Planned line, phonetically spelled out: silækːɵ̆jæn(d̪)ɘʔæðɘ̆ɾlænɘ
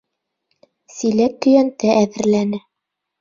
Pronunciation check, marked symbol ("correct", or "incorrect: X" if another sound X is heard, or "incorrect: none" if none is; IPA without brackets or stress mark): incorrect: t̪